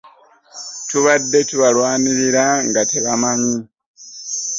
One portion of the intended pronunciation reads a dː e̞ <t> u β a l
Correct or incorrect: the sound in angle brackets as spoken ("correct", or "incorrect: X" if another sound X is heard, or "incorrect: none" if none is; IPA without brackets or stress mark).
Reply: correct